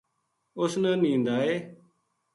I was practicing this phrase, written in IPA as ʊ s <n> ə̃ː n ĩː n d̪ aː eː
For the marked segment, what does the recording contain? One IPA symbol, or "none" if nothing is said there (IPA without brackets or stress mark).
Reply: n